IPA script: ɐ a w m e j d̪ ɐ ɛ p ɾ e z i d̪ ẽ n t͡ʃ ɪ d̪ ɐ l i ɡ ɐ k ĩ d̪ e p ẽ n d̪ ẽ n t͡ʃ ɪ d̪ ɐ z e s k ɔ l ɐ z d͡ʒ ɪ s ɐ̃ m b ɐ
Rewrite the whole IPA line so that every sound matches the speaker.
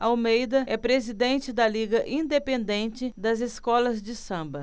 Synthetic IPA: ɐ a w m e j d̪ ɐ ɛ p ɾ e z i d̪ ẽ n t͡ʃ ɪ d̪ ɐ l i ɡ ɐ ʔ ĩ d̪ e p ẽ n d̪ ẽ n t͡ʃ ɪ d̪ ɐ z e s k ɔ l ɐ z d͡ʒ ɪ s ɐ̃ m b ɐ